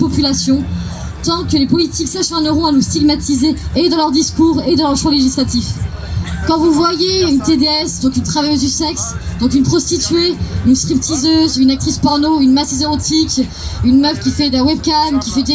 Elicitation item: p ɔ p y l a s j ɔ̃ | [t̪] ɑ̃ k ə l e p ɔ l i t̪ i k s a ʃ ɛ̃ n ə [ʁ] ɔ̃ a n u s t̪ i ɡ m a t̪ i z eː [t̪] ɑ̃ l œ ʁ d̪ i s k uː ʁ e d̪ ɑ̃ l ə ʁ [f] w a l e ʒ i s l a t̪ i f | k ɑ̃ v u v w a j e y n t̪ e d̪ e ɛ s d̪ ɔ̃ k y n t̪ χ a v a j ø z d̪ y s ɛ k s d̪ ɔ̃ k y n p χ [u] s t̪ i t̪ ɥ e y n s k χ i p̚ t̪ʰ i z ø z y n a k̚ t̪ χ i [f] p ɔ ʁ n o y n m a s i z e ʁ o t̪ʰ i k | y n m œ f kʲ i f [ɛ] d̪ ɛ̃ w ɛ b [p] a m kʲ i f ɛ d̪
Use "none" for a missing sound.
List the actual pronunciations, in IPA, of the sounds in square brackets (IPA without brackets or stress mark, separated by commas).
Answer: t̪, ʁ, d̪, ʃ, ɔ, s, ɛ, k